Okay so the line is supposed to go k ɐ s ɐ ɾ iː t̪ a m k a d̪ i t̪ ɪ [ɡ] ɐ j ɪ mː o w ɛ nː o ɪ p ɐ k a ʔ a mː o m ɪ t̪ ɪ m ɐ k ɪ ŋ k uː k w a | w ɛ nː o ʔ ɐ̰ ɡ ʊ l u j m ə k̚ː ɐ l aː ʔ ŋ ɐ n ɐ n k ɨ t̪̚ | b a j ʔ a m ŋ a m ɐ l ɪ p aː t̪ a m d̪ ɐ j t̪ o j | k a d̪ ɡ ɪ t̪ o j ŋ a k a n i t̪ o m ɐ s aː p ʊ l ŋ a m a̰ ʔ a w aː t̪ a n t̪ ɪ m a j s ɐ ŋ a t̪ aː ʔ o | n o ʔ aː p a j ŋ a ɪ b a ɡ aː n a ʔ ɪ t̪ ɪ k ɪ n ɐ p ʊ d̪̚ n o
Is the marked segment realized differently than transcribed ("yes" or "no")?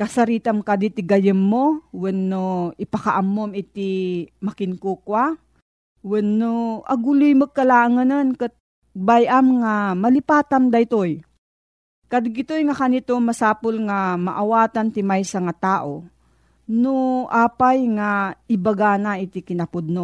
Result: no